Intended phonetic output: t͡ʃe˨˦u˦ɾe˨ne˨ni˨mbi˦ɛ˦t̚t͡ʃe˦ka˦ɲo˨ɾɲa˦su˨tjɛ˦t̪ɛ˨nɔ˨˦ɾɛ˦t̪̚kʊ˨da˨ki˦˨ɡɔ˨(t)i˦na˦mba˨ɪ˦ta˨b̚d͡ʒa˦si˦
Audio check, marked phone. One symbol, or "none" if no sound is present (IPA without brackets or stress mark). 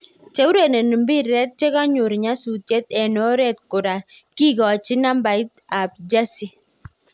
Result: t͡ʃ